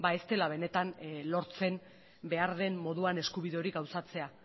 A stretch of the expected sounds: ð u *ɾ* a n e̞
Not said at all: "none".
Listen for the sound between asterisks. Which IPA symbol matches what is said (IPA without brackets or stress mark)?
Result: none